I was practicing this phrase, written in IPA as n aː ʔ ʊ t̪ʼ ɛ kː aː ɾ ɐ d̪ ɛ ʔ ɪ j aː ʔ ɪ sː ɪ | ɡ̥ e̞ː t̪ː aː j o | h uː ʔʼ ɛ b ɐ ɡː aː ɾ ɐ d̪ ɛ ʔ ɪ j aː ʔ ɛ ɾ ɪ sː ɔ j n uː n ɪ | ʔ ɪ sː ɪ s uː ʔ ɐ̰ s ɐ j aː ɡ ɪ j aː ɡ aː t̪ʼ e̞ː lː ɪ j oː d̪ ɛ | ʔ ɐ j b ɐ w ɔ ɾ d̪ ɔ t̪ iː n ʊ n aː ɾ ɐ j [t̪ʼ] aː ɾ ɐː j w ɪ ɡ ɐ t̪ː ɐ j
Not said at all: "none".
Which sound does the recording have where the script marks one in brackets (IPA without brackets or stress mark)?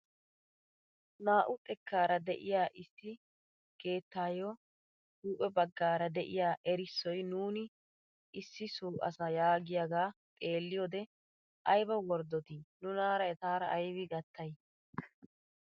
t̪